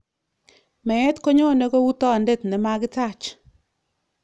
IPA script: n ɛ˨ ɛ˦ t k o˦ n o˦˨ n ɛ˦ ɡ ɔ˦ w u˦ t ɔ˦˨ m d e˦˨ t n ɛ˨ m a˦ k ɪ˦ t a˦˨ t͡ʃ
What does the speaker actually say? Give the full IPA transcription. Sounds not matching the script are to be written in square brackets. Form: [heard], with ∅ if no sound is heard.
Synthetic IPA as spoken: [m] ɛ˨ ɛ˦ t k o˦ [ɲ] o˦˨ n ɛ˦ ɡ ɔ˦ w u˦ t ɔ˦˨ [n] d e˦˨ t n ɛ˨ m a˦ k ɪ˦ t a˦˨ t͡ʃ

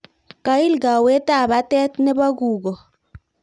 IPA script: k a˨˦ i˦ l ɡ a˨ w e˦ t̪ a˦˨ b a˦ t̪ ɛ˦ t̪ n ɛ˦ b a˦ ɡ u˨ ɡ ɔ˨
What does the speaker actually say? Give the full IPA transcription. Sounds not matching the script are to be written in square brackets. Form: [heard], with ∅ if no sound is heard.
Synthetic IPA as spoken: k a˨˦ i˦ l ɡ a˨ w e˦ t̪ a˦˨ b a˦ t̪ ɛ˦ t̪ n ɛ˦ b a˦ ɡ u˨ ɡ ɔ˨

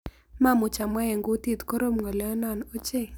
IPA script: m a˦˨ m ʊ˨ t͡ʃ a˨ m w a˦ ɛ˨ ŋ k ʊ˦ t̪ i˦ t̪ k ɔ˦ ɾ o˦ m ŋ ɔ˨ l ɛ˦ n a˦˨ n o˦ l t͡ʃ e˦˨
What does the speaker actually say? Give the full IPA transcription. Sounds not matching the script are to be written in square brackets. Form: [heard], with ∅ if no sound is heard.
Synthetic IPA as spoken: m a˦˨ m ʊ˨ t͡ʃ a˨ m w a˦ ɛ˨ ŋ [ɡ] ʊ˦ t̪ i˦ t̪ k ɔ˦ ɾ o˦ m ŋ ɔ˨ l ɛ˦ n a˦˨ n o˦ [∅] t͡ʃ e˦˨

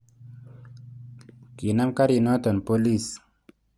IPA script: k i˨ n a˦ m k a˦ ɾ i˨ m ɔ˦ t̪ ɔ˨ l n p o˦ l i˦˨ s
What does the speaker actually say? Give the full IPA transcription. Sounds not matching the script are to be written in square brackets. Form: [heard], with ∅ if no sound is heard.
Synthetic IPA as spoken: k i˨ n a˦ m k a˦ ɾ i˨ [n] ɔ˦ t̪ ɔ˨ [∅] n p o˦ l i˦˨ s

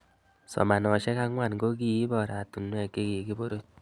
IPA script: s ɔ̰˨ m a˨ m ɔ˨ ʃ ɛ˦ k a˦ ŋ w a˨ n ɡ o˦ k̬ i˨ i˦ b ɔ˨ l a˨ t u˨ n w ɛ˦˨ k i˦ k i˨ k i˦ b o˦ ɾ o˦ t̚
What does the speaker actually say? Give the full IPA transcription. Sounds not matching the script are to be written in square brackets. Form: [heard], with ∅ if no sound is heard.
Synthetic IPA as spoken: s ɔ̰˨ m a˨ [n] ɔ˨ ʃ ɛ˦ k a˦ ŋ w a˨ n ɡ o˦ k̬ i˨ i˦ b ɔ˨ [ɾ] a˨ t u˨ n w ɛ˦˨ k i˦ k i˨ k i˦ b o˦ ɾ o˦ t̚

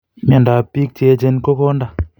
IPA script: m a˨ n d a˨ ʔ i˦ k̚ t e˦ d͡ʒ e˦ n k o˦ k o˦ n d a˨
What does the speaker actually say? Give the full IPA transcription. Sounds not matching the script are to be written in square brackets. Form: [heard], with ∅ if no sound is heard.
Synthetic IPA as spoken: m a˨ n d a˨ [p] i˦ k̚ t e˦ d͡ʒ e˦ n k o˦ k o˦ n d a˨

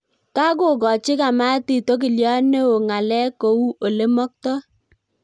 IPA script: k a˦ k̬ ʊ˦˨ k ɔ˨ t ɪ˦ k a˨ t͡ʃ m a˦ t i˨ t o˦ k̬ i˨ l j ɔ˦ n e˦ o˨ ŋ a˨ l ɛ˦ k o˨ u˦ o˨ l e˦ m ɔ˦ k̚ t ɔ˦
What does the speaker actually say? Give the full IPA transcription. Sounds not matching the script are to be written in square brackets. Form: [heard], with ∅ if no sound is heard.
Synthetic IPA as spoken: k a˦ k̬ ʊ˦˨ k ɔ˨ [t͡ʃ] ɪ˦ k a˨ [∅] m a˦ t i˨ t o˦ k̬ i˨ l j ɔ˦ n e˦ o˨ ŋ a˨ l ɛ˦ k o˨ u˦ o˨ l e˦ m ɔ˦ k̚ t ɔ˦

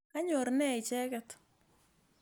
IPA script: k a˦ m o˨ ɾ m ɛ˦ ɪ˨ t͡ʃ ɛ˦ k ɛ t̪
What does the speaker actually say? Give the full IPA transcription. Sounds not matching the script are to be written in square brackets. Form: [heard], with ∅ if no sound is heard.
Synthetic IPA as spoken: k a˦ [ɲ] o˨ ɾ [n] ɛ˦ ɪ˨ t͡ʃ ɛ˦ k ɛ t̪

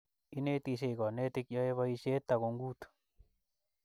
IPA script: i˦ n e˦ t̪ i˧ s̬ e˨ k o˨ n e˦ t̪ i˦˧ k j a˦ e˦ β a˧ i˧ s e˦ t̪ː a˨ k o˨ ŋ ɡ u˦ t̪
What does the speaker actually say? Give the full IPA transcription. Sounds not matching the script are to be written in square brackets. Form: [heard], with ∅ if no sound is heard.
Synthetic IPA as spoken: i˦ n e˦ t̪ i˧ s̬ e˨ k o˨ n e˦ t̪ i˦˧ k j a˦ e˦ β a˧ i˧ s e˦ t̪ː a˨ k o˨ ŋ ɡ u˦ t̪

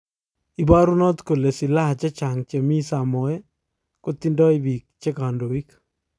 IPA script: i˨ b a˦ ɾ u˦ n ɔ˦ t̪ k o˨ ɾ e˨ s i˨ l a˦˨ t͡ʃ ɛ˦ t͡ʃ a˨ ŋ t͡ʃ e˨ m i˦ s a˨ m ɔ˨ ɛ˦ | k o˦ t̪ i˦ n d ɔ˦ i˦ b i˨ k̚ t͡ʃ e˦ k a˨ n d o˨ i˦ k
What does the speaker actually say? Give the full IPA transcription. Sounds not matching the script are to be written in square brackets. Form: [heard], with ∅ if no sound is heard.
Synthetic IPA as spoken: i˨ b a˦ ɾ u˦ n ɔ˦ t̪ k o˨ [l] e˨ s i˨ l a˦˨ t͡ʃ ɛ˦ t͡ʃ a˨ ŋ t͡ʃ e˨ m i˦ s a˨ m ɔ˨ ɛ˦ | k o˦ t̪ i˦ n d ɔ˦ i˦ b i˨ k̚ t͡ʃ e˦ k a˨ n d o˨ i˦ k

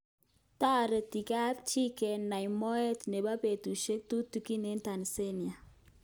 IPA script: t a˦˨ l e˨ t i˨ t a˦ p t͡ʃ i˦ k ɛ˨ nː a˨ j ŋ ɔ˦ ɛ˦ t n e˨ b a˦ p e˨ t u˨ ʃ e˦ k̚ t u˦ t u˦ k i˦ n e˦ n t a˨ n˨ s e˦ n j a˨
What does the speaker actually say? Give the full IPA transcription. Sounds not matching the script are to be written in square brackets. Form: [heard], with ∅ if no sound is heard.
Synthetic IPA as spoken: t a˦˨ [ɾ] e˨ t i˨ [k] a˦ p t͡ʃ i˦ k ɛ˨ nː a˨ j [m] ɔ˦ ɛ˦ t n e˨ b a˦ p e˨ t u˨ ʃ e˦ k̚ t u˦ t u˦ k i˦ n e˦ n t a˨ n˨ s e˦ n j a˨

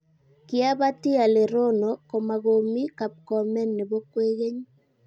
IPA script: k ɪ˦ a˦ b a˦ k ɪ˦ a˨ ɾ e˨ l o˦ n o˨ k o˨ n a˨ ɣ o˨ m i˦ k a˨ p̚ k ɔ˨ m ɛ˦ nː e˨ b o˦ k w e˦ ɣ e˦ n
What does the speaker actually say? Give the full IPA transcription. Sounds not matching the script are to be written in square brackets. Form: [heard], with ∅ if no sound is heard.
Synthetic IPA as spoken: k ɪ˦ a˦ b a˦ [t] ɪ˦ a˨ [l] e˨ [ɾ] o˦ n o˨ k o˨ [m] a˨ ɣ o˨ m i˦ k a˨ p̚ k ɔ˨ m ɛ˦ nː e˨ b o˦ k w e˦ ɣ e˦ [ɲ]

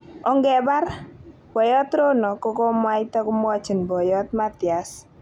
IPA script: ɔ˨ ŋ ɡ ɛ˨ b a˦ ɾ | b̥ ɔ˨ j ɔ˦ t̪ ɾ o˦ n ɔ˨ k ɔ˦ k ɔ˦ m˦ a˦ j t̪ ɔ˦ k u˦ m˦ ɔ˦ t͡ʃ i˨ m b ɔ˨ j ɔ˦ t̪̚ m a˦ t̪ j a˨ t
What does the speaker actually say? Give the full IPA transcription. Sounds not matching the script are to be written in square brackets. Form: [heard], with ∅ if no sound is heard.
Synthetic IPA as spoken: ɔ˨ ŋ ɡ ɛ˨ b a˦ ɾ | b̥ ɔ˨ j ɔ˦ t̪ ɾ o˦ n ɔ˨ k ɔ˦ k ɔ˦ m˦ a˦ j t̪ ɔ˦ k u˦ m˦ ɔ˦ t͡ʃ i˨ [n] b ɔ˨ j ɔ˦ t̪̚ m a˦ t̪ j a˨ [s]

